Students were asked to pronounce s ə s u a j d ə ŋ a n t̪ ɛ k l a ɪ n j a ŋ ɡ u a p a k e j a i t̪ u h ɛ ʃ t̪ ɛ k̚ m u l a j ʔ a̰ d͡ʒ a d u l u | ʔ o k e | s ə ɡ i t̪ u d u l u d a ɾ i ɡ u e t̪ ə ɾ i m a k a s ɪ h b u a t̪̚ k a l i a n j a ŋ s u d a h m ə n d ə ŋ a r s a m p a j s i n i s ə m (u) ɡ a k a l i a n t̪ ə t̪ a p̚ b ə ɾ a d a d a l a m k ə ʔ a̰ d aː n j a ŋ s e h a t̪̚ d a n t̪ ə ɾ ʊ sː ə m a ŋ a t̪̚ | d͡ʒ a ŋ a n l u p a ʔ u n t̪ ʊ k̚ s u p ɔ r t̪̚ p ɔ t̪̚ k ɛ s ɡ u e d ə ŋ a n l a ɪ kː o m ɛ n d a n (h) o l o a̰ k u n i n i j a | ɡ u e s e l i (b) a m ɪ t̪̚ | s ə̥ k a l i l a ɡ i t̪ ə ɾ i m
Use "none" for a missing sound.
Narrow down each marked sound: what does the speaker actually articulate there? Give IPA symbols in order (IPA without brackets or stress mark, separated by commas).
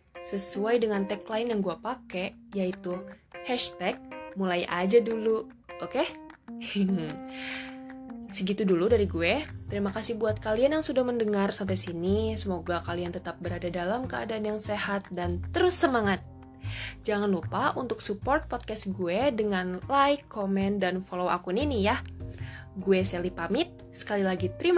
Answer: o, f, p